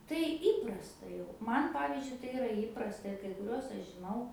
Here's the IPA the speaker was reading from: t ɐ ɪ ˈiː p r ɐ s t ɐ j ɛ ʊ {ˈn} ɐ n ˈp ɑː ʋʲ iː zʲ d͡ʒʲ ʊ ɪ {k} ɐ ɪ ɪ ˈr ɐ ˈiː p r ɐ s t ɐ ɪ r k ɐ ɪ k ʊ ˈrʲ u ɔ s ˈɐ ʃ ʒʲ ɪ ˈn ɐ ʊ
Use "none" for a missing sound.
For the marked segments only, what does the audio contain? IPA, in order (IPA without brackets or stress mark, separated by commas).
m, t